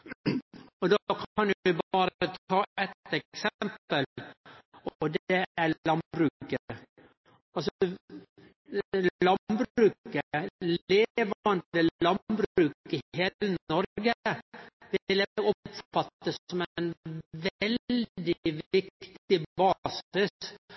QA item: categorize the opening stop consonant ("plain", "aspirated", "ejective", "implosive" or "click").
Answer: plain